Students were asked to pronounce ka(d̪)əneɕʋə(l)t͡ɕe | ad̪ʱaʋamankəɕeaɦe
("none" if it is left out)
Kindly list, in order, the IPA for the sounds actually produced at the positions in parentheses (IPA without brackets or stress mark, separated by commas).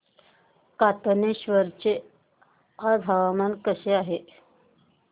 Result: t̪, ɾ